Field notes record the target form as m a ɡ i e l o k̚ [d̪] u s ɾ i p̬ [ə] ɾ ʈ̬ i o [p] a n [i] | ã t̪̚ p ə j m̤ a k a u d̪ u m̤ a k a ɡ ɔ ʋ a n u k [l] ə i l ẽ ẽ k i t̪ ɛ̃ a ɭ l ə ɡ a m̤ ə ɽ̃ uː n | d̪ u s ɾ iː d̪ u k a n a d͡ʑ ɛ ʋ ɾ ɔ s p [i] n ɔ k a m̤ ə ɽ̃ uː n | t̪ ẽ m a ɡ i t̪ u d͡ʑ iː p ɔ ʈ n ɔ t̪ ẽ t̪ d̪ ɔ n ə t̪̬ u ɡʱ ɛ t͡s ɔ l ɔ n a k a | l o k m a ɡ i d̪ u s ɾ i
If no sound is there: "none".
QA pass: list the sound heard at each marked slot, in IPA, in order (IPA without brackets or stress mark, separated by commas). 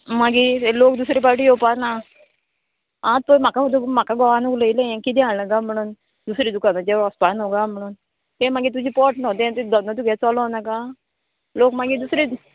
d̪, a, p, a, l, a